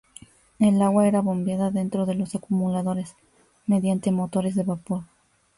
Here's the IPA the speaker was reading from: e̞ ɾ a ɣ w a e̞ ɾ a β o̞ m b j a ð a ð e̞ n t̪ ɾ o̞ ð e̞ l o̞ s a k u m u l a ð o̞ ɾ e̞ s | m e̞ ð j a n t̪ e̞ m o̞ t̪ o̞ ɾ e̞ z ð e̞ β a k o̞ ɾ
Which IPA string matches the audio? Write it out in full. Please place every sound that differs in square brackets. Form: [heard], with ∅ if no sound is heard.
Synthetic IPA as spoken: e̞ [l] a ɣ w a e̞ ɾ a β o̞ m b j a ð a ð e̞ n t̪ ɾ o̞ ð e̞ l o̞ s a k u m u l a ð o̞ ɾ e̞ s | m e̞ ð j a n t̪ e̞ m o̞ t̪ o̞ ɾ e̞ z ð e̞ β a [p] o̞ ɾ